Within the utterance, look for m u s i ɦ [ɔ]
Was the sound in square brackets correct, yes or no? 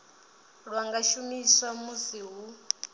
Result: no